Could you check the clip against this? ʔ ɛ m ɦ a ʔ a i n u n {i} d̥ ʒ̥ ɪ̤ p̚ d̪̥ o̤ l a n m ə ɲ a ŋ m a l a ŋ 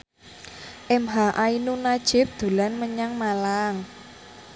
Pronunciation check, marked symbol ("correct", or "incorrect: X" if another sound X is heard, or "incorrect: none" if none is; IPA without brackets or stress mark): incorrect: a